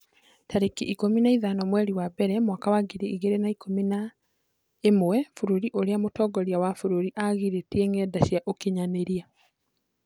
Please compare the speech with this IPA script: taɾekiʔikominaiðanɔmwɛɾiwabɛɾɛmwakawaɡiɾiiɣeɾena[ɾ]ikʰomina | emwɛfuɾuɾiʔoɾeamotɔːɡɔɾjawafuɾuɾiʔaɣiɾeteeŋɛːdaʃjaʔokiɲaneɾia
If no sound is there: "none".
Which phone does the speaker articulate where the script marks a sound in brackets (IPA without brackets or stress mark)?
none